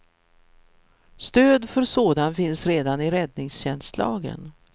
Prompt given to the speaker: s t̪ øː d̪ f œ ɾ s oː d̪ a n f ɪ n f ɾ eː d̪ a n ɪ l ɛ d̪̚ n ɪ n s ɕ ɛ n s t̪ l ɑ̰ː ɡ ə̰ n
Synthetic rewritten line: s t̪ øː d̪ f œ ɾ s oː d̪ a n f ɪ n s ɾ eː d̪ a n ɪ ɾ ɛ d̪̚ n ɪ ŋ s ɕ ɛ n s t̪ l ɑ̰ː ɡ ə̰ n